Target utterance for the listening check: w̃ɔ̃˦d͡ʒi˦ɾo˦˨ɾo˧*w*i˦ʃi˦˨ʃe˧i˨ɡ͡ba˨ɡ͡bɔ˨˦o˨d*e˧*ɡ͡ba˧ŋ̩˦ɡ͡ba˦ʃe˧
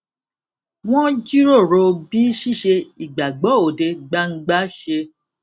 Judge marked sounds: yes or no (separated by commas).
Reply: no, yes